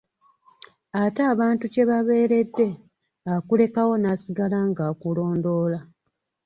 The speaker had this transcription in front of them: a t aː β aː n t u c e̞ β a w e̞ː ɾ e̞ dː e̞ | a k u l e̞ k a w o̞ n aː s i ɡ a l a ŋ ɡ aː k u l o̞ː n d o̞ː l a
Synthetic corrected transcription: a t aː β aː n t u c e̞ β a β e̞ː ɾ e̞ dː e̞ | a k u l e̞ k a w o̞ n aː s i ɡ a l a ŋ ɡ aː k u l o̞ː n d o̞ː l a